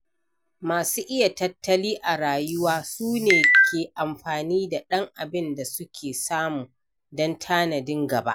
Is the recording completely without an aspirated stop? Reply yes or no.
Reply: no